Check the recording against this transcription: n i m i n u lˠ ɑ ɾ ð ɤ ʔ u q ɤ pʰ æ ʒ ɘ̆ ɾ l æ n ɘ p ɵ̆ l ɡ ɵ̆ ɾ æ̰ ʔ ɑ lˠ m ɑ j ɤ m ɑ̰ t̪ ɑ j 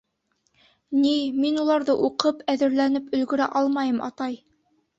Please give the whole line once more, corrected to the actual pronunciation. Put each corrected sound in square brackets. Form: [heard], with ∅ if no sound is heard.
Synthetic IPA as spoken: n i m i n u lˠ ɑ ɾ ð ɤ ʔ u q ɤ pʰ æ [ð] ɘ̆ ɾ l æ n ɘ p ɵ̆ l ɡ ɵ̆ ɾ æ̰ ʔ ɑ lˠ m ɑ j ɤ m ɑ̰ t̪ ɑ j